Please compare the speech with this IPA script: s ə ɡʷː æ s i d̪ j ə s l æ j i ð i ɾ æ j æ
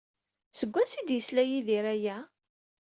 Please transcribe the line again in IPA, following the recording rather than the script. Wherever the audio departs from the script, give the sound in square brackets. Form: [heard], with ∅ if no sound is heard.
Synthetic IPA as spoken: s ə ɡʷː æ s i d̪ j ə s l æ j i ð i ɾ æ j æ